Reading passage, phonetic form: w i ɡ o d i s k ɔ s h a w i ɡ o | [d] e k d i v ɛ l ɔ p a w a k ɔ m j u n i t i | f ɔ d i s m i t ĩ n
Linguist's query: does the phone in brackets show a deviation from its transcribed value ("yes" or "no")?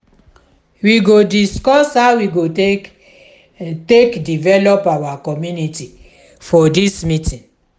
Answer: yes